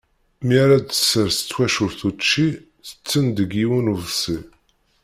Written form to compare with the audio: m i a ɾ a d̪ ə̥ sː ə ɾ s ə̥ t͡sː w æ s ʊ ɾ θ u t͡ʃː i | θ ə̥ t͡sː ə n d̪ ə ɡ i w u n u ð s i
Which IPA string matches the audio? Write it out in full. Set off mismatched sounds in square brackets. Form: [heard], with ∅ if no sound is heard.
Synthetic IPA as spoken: m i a ɾ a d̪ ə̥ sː ə ɾ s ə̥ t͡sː w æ [ʃ] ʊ ɾ θ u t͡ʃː i | θ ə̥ t͡sː ə n d̪ ə ɡ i w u n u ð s i